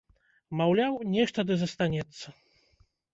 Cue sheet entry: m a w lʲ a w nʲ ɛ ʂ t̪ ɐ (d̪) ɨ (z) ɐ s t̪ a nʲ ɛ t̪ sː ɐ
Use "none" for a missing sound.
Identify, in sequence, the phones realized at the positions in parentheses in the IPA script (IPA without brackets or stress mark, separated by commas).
d̪, z